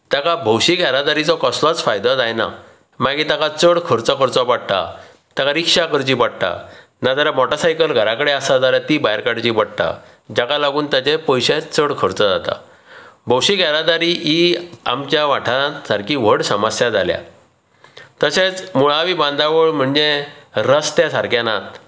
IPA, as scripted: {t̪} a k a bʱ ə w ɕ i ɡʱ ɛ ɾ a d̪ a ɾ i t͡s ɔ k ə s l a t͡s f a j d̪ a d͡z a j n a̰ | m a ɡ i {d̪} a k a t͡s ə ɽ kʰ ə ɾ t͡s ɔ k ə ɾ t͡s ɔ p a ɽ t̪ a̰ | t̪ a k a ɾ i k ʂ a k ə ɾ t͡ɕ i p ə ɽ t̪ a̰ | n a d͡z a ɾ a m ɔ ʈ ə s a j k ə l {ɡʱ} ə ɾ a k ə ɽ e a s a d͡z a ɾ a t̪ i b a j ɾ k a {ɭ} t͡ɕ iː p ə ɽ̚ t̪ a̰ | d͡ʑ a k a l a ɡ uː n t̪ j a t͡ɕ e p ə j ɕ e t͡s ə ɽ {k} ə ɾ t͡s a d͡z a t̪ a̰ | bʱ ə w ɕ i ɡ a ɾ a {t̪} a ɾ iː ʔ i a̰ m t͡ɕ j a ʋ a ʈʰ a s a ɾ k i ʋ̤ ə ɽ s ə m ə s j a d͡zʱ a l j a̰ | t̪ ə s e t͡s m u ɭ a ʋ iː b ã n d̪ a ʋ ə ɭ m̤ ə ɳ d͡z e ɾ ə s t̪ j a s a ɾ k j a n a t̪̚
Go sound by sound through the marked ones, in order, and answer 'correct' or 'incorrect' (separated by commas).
correct, incorrect, correct, incorrect, incorrect, incorrect